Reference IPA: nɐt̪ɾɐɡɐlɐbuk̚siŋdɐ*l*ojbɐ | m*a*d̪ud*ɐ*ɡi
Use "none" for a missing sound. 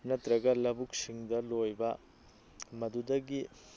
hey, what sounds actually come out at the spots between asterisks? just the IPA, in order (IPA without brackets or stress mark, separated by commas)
l, ɐ, ɐ